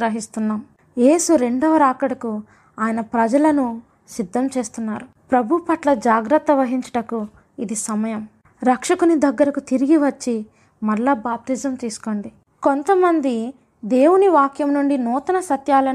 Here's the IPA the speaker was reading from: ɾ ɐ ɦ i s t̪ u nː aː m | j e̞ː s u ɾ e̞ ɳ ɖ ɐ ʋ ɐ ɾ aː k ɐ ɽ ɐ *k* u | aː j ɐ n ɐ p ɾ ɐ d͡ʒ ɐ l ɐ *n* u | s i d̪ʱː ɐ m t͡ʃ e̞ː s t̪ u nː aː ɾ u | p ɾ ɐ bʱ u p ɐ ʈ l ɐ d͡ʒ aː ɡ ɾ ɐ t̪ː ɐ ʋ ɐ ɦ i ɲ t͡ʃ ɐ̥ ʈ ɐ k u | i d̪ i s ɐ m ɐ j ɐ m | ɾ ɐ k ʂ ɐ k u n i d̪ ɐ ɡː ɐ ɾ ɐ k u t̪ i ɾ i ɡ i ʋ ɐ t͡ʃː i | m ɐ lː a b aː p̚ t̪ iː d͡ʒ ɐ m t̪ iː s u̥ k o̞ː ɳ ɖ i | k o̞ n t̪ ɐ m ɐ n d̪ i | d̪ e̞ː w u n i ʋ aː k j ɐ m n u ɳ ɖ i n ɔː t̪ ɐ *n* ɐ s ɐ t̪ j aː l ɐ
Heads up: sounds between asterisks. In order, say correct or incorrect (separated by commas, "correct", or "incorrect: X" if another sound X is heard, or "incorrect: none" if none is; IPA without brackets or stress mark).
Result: correct, correct, correct